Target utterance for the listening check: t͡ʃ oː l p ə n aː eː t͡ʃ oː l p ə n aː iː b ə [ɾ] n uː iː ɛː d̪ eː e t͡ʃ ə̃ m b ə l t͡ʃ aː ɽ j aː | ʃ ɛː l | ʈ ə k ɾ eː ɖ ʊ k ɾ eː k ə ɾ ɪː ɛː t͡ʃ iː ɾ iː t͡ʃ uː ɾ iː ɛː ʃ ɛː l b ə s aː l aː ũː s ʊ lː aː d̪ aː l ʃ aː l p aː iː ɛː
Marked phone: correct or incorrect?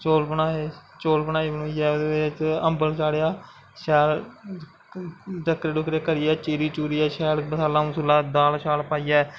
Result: incorrect